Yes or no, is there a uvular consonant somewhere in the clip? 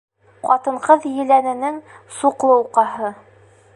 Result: yes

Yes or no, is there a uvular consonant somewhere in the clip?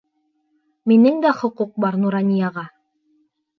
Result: yes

